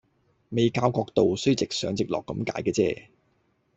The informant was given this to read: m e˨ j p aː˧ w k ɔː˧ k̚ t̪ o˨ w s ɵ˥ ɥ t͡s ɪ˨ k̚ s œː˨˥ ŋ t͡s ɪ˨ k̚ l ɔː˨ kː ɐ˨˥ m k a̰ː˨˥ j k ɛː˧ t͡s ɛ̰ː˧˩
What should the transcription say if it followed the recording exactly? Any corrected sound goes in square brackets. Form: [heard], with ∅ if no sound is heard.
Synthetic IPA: m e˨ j [k] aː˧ w k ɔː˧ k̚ t̪ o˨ w s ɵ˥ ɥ t͡s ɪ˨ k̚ s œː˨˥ ŋ t͡s ɪ˨ k̚ l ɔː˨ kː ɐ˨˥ m k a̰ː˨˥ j k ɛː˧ t͡s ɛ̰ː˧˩

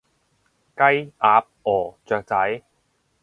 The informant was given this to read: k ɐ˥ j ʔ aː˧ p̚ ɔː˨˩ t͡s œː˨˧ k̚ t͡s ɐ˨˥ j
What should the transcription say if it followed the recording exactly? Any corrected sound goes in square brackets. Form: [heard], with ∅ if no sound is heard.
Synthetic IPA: k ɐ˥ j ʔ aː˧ p̚ ɔː˨˩ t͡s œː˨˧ k̚ t͡s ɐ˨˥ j

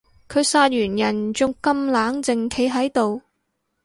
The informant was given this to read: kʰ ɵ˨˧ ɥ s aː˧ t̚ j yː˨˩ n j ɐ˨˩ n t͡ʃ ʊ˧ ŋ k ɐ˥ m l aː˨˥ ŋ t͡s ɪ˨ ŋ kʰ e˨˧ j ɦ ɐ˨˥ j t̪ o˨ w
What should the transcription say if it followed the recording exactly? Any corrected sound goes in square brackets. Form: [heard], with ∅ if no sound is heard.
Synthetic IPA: kʰ ɵ˨˧ ɥ s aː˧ t̚ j yː˨˩ n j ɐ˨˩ n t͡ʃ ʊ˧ ŋ k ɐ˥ m l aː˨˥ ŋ t͡s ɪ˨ ŋ kʰ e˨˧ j ɦ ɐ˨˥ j t̪ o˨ w

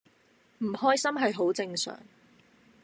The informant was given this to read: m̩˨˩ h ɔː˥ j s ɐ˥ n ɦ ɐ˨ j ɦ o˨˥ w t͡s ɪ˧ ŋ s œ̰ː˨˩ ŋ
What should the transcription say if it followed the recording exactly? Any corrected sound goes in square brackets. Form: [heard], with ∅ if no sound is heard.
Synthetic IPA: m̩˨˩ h ɔː˥ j s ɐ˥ [m] ɦ ɐ˨ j ɦ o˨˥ w t͡s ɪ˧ ŋ s œ̰ː˨˩ ŋ

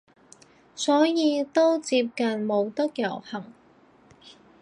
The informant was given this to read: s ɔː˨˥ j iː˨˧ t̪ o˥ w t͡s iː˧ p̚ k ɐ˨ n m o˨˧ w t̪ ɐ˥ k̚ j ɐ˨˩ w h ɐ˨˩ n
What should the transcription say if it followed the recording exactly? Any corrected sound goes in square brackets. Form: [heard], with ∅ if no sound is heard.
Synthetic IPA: s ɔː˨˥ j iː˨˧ t̪ o˥ w t͡s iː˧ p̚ k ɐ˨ n m o˨˧ w t̪ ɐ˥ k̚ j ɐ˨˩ w h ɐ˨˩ [ŋ]

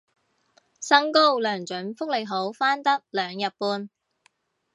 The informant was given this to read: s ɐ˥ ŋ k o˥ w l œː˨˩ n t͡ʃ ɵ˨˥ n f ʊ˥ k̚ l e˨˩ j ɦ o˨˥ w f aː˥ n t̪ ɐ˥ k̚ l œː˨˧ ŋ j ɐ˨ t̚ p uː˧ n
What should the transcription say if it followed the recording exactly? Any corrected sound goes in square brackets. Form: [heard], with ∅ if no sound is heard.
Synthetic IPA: s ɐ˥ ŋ k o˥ w l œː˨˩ [ŋ] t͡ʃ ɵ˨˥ n f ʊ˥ k̚ l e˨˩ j ɦ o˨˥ w f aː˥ n t̪ ɐ˥ k̚ l œː˨˧ ŋ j ɐ˨ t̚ p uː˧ n

